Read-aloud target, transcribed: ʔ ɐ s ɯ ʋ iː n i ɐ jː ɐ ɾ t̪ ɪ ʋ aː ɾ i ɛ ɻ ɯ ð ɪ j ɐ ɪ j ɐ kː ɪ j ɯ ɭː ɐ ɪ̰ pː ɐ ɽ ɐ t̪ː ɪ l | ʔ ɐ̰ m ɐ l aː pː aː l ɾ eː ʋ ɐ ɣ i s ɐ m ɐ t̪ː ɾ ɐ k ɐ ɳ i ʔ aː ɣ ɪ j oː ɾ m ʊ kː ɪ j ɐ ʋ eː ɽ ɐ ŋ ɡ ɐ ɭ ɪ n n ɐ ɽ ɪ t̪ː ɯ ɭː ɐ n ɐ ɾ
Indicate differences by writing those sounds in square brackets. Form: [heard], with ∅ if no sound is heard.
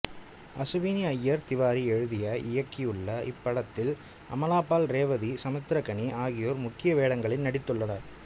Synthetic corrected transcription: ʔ ɐ s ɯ ʋ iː n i ɐ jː ɐ ɾ t̪ ɪ ʋ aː ɾ i ɛ ɻ ɯ ð ɪ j ɐ ɪ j ɐ kː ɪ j ɯ ɭː ɐ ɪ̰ pː ɐ ɽ ɐ t̪ː ɪ l | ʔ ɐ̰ m ɐ l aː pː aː l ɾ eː ʋ ɐ [ð] i s ɐ m ɐ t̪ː ɾ ɐ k ɐ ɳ i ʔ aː ɣ ɪ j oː ɾ m ʊ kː ɪ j ɐ ʋ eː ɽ ɐ ŋ ɡ ɐ ɭ ɪ n n ɐ ɽ ɪ t̪ː ɯ ɭː ɐ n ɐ ɾ

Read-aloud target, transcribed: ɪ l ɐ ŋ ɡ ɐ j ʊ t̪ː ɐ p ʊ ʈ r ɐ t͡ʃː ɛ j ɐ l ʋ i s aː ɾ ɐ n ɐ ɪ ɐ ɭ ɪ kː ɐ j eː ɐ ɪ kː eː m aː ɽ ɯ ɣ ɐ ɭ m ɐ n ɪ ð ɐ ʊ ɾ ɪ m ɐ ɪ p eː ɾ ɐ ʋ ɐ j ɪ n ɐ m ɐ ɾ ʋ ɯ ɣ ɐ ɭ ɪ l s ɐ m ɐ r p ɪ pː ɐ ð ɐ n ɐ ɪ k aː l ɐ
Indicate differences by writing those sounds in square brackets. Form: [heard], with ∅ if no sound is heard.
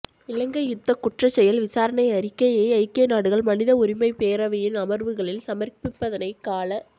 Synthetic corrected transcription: ɪ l ɐ ŋ ɡ ɐ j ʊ t̪ː ɐ [k] ʊ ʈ r ɐ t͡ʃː ɛ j ɐ l ʋ [ɪ] s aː ɾ ɐ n ɐ ɪ ɐ [ɾ] ɪ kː ɐ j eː ɐ ɪ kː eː [n] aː ɽ ɯ ɣ ɐ ɭ m ɐ n ɪ ð ɐ ʊ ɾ ɪ m ɐ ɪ p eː ɾ ɐ ʋ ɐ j ɪ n ɐ m ɐ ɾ ʋ ɯ ɣ ɐ ɭ ɪ l s ɐ m ɐ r p ɪ pː ɐ ð ɐ n ɐ ɪ k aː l ɐ

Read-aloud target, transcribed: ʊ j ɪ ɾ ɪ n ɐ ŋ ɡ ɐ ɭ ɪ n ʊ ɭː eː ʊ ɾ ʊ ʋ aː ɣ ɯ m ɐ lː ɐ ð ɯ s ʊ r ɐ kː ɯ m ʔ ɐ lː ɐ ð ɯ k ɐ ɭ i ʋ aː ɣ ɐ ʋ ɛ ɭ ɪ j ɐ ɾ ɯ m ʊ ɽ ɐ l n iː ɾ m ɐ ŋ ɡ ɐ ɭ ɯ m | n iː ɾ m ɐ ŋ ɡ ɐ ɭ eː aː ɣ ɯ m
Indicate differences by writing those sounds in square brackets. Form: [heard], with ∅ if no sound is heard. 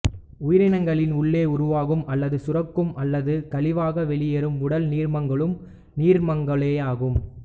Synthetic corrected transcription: ʊ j ɪ ɾ ɪ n ɐ ŋ ɡ ɐ ɭ ɪ n ʊ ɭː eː ʊ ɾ ʊ ʋ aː ɣ ɯ m ɐ lː ɐ ð ɯ s ʊ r ɐ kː ɯ m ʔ ɐ lː ɐ ð ɯ k ɐ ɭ [ɪ] ʋ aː ɣ ɐ ʋ ɛ ɭ ɪ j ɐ ɾ ɯ m ʊ ɽ ɐ l n iː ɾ m ɐ ŋ ɡ ɐ ɭ ɯ m | n iː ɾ m ɐ ŋ ɡ ɐ ɭ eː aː ɣ ɯ m

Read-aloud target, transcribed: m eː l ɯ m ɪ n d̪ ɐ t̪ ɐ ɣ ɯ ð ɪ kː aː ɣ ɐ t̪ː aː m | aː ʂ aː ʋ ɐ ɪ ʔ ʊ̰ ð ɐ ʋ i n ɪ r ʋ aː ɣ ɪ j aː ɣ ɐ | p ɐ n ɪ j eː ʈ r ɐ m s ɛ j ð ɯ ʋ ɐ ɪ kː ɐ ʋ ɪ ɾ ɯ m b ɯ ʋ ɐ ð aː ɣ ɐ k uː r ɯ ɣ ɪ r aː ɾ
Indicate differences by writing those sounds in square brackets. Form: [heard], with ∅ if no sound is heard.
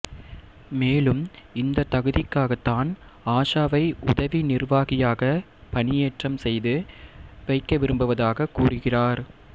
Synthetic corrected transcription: m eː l ɯ m ɪ n d̪ ɐ t̪ ɐ ɣ ɯ ð ɪ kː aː ɣ ɐ t̪ː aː [n] | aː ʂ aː ʋ ɐ ɪ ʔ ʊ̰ ð ɐ ʋ i n ɪ r ʋ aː ɣ ɪ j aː ɣ ɐ | p ɐ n ɪ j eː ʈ r ɐ m s ɛ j ð ɯ ʋ ɐ ɪ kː ɐ ʋ ɪ ɾ ɯ m b ɯ ʋ ɐ ð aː ɣ ɐ k uː r ɯ ɣ ɪ r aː ɾ

